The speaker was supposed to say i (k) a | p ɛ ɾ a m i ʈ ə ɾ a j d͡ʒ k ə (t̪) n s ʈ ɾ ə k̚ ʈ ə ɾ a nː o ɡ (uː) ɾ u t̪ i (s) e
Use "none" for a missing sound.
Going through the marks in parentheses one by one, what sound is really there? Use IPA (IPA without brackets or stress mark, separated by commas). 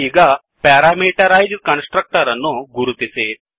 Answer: ɡ, none, u, s